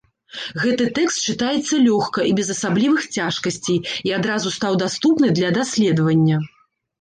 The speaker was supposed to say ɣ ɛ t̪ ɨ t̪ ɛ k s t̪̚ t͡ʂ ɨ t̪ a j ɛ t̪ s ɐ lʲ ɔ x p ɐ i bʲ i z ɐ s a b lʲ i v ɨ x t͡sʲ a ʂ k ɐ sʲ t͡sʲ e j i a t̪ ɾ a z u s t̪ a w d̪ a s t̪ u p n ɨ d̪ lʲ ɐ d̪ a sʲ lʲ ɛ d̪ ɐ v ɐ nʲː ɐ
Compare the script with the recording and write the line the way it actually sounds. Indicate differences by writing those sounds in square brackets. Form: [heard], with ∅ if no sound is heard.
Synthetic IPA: ɣ ɛ t̪ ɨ t̪ ɛ k s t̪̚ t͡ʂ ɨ t̪ a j ɛ t̪ [sː] ɐ lʲ ɔ x [k] ɐ i bʲ [ɛ] z ɐ s a b lʲ i v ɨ x t͡sʲ a ʂ k ɐ sʲ t͡sʲ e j i a [d̪] ɾ a z u s t̪ a w d̪ a s t̪ u p n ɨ d̪ lʲ ɐ d̪ a sʲ lʲ ɛ d̪ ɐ v ɐ nʲː ɐ